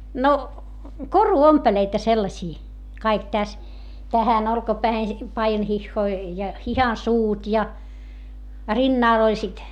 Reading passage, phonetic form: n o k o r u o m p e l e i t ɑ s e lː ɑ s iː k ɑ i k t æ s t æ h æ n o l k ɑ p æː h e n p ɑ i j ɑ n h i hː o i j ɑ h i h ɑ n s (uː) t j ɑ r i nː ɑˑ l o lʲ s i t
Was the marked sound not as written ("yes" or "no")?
no